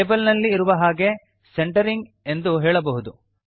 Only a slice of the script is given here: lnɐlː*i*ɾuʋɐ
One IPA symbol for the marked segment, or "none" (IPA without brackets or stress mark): iː